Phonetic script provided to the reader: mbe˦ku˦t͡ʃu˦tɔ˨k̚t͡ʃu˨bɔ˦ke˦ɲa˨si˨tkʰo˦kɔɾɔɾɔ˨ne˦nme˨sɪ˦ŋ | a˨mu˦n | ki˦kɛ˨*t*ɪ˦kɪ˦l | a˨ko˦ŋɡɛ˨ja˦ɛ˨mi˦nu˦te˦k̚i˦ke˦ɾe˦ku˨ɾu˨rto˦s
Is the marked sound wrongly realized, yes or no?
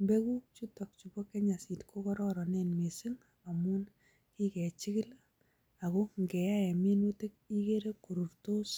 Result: yes